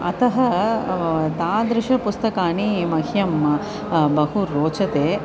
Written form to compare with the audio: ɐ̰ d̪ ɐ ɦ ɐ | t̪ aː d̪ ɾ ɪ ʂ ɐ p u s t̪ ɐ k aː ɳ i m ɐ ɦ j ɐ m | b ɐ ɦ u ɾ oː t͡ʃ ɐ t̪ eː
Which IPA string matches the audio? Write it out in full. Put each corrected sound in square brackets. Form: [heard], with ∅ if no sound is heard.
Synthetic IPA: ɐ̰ [t̪] ɐ ɦ ɐ | t̪ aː d̪ ɾ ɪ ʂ ɐ p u s t̪ ɐ k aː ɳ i m ɐ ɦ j ɐ m | b ɐ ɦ u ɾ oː t͡ʃ ɐ t̪ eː